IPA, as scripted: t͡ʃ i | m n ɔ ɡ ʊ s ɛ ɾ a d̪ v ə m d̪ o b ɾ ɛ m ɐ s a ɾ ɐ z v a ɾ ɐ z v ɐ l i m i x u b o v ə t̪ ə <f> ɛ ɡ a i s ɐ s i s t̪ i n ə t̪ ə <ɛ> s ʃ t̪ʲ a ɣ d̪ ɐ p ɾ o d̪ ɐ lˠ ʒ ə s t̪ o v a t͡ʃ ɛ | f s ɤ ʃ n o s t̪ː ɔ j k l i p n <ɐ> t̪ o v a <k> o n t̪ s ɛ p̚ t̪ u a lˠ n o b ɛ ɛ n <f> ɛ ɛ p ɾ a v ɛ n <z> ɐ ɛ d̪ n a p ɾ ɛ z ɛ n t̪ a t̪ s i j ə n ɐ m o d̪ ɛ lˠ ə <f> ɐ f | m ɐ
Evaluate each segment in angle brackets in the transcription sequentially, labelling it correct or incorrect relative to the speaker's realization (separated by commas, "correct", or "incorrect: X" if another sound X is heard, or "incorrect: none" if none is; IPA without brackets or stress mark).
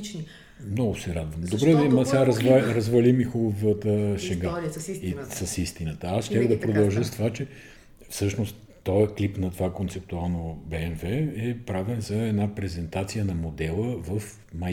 incorrect: ʃ, incorrect: a, correct, correct, incorrect: v, correct, incorrect: v